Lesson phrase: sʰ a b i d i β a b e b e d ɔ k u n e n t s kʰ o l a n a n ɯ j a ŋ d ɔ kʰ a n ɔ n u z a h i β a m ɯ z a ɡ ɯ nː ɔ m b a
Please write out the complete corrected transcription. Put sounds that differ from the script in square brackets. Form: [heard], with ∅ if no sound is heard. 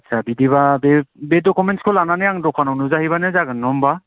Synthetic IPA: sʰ a b i d i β a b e b e d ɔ k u [m] e n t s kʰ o l a n a n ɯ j a ŋ d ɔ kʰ a n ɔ n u z a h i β a [n] ɯ z a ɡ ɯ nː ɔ m b a